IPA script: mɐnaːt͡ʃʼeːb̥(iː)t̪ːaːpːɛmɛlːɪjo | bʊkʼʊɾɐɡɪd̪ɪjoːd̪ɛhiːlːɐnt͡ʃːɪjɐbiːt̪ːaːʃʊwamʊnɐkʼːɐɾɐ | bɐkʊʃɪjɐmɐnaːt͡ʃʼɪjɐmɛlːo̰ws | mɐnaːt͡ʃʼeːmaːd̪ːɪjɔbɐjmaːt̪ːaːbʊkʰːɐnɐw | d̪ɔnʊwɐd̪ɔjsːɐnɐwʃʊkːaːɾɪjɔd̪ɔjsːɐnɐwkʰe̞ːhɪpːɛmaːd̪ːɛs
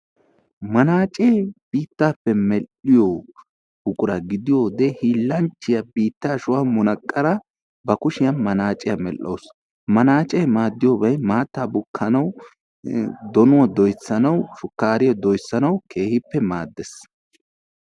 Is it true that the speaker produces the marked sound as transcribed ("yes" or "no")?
yes